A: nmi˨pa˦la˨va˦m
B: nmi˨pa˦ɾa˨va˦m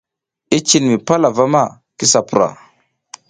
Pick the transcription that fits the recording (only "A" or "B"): A